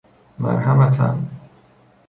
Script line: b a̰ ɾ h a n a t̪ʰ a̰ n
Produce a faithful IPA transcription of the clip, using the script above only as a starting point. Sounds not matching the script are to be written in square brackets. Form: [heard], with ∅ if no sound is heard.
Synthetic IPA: [m] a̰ ɾ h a [m] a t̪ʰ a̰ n